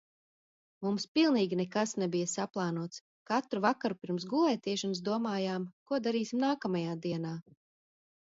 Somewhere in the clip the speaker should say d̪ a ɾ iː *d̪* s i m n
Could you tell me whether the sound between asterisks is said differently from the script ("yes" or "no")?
yes